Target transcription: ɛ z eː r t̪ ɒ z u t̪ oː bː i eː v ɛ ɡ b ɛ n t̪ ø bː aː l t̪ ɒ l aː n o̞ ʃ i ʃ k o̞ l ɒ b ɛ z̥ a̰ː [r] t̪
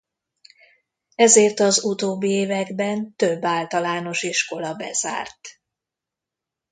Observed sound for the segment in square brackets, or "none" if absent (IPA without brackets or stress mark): r